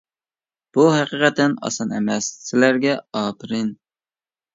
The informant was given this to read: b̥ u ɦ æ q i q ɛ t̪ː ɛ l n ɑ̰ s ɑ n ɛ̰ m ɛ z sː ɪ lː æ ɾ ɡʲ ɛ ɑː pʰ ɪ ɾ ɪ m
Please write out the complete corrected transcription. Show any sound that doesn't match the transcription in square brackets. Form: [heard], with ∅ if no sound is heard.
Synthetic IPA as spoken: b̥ u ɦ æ q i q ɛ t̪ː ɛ [∅] n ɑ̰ s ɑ n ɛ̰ m ɛ [s] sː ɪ [l] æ ɾ ɡʲ ɛ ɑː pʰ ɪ ɾ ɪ [n]